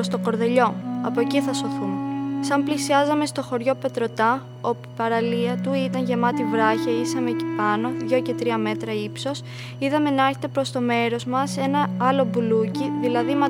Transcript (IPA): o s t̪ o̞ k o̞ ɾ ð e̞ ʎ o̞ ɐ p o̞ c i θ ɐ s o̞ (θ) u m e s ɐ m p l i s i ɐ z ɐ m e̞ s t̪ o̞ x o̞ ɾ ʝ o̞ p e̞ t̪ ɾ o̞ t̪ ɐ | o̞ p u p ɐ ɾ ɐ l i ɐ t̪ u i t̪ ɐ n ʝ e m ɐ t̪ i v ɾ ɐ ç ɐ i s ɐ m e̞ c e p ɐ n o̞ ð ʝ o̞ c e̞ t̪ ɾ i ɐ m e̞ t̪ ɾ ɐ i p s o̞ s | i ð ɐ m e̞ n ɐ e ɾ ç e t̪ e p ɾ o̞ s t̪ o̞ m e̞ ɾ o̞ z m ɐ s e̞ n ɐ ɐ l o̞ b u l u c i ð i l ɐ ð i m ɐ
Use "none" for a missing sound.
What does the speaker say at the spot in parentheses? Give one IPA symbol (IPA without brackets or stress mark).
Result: θ